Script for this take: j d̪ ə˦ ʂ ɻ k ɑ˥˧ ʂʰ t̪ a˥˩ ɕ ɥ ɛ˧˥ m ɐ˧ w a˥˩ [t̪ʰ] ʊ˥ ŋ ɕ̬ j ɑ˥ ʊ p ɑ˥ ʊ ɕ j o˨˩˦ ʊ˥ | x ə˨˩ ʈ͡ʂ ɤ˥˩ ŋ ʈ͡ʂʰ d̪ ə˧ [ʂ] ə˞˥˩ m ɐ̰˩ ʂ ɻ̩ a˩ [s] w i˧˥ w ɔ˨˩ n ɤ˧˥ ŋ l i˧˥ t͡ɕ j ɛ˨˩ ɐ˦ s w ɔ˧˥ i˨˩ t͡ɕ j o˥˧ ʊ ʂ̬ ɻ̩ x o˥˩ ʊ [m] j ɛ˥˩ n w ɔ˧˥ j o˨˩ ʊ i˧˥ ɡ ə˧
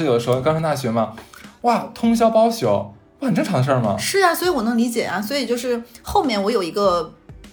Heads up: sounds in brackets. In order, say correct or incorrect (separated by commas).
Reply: correct, correct, correct, correct